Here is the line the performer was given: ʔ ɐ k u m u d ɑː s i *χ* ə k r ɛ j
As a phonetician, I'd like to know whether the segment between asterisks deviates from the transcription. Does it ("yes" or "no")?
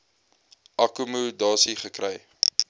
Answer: no